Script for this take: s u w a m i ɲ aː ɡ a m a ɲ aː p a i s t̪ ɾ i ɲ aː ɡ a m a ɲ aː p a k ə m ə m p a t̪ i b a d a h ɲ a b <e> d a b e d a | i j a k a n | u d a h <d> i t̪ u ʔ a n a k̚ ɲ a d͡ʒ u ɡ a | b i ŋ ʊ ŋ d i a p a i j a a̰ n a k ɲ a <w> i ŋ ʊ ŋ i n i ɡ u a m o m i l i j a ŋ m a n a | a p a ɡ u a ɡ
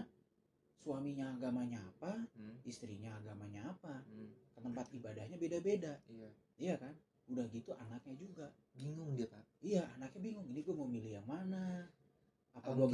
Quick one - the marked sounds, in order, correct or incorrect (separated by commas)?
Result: correct, incorrect, incorrect